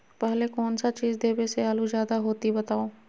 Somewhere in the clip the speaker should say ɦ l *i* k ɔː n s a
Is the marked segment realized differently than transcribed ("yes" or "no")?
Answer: yes